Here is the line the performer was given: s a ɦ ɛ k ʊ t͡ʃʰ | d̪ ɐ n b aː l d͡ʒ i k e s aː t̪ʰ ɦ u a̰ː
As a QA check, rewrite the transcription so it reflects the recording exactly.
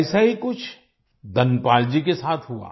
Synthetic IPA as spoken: s a ɦ i k ʊ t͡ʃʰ | d̪ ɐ n p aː l d͡ʒ i k e s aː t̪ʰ ɦ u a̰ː